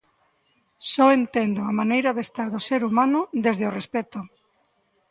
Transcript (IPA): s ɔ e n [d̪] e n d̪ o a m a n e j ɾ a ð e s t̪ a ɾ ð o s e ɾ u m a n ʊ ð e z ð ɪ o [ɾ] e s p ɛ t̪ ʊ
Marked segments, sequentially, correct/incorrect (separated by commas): incorrect, incorrect